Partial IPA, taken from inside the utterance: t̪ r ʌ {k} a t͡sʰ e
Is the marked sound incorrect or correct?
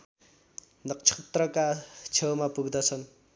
correct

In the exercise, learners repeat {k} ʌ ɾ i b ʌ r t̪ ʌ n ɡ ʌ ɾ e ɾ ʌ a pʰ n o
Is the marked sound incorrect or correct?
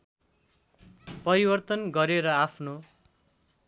incorrect: p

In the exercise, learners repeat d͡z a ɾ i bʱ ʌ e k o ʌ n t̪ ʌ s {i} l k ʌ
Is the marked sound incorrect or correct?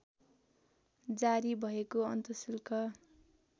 correct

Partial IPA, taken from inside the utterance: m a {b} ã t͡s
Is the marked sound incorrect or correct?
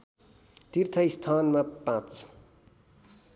incorrect: p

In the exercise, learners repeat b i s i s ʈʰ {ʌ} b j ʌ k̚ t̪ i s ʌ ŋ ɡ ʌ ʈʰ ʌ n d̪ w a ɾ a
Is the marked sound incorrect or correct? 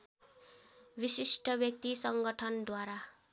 correct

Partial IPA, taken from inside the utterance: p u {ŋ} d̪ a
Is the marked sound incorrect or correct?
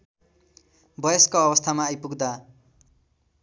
incorrect: ɡ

